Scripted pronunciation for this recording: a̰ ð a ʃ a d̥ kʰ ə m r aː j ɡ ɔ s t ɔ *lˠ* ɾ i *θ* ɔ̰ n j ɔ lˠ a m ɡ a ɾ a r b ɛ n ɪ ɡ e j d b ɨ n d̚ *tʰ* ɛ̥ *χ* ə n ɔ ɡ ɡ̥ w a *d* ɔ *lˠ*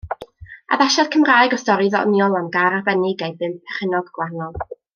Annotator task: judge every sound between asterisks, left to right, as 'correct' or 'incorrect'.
incorrect: none, incorrect: ð, incorrect: pʰ, correct, incorrect: n, correct

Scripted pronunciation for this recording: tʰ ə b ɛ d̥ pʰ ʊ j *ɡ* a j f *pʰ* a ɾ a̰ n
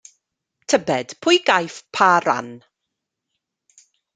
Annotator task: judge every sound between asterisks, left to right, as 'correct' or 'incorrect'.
correct, correct

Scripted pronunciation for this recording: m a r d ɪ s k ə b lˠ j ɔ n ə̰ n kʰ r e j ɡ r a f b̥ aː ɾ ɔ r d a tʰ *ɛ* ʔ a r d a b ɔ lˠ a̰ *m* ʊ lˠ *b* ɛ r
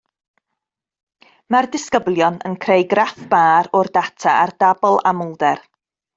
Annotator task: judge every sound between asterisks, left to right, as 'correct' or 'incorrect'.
incorrect: a, correct, incorrect: d

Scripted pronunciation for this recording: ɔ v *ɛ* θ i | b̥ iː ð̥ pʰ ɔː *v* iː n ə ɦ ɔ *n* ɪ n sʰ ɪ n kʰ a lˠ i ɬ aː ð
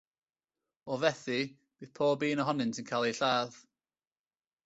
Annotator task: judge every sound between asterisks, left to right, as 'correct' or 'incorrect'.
correct, incorrect: b, correct

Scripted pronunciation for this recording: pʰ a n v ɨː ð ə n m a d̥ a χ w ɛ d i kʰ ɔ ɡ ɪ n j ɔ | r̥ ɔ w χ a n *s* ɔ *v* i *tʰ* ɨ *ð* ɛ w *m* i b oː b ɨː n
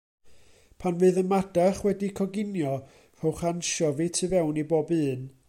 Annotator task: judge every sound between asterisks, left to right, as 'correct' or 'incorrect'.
incorrect: ʃ, correct, correct, incorrect: v, incorrect: n

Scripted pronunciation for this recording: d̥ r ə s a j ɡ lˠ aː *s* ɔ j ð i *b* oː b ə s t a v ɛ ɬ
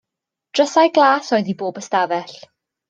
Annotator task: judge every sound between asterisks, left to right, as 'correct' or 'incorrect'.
correct, correct

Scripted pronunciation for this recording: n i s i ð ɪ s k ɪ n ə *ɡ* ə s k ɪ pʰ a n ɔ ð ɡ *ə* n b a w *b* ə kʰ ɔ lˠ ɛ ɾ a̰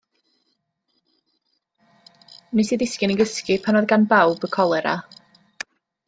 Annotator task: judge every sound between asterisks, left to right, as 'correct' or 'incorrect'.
correct, incorrect: a, correct

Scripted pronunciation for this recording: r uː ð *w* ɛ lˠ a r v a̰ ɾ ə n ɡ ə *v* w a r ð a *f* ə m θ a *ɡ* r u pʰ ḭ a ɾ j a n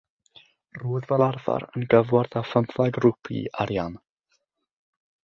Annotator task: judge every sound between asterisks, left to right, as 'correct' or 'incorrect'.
incorrect: v, correct, correct, correct

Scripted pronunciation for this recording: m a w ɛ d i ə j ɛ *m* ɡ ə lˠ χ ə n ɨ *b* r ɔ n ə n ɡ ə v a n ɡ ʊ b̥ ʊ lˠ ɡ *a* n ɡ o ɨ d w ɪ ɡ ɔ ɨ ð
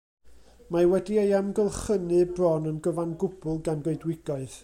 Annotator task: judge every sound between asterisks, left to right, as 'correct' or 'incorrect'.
correct, correct, correct

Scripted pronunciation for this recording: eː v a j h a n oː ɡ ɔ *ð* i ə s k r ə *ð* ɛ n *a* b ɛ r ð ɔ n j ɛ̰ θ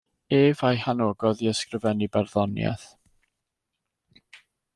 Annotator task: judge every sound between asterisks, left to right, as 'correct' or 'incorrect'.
correct, incorrect: v, incorrect: i

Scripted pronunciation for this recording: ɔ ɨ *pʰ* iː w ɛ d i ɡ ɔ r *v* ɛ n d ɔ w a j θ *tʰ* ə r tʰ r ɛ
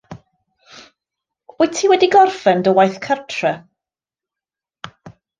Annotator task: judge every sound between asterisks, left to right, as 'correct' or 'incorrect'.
incorrect: tʰ, incorrect: f, incorrect: kʰ

